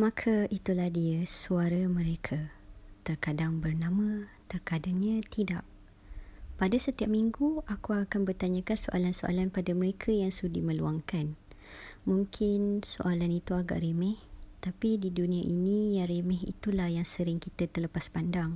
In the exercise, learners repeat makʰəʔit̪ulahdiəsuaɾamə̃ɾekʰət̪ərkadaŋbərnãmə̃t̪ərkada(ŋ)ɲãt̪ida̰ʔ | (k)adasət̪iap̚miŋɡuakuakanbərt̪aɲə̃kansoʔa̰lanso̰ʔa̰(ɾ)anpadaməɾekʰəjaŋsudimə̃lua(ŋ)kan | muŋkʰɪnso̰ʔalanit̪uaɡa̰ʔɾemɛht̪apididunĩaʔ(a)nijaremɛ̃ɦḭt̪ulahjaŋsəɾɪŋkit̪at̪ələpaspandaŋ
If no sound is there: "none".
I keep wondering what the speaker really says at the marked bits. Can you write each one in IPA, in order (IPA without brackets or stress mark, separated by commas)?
ŋ, p, l, ŋ, i